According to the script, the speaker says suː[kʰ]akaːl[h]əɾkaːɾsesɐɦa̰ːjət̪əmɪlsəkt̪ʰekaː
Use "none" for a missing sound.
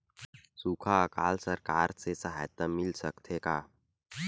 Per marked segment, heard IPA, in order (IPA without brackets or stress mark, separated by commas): kʰ, s